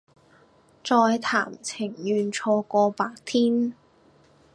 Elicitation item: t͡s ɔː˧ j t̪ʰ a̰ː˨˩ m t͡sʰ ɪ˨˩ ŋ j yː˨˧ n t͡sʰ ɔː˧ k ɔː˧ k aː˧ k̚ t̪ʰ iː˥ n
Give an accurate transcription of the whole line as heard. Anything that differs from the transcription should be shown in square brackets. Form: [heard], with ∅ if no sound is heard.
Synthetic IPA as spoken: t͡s ɔː˧ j t̪ʰ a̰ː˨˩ m t͡sʰ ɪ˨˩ ŋ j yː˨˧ n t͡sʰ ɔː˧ k ɔː˧ [p] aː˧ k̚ t̪ʰ iː˥ n